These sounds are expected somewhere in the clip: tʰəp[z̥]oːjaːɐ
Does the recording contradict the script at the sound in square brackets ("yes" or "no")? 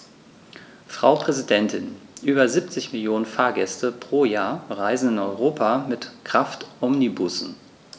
yes